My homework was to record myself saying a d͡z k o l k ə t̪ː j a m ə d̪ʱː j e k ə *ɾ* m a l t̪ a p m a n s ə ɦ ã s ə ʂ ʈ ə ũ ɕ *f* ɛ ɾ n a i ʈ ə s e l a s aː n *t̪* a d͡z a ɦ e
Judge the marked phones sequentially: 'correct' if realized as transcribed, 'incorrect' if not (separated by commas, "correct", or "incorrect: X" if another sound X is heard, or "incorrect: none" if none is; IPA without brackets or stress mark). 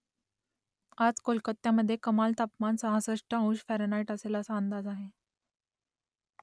incorrect: none, correct, incorrect: d̪